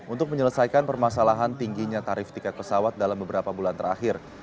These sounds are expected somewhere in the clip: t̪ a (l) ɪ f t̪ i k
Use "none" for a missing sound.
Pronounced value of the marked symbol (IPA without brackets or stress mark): ɾ